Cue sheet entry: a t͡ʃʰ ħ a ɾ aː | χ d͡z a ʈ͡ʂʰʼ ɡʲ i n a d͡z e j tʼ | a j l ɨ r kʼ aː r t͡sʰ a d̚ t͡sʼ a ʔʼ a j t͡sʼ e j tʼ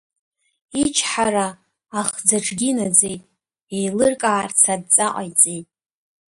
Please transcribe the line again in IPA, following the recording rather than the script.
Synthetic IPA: i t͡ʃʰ ħ a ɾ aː | χ d͡z a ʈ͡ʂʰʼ ɡʲ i n a d͡z e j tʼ | e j l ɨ r kʼ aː r t͡sʰ a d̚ t͡sʼ a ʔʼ a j t͡sʼ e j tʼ